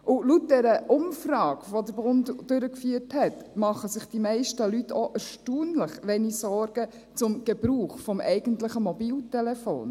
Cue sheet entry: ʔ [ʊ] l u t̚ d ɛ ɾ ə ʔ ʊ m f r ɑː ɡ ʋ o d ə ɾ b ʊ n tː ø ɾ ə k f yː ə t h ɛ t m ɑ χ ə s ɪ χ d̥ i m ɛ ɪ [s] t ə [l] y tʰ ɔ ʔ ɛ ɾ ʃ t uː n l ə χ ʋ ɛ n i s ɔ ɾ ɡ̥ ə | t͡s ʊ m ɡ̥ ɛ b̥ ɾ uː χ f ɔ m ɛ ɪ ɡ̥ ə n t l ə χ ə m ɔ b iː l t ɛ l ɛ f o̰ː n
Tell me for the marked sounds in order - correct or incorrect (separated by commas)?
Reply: correct, incorrect, correct